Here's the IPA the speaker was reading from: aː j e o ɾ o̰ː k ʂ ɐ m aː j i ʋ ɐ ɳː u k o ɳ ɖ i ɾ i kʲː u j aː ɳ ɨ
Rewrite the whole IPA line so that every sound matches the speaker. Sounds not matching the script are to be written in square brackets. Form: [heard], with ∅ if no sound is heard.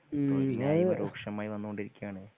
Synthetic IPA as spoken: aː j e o ɾ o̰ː k ʂ ɐ m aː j i ʋ ɐ [nː] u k o ɳ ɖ i ɾ i kʲː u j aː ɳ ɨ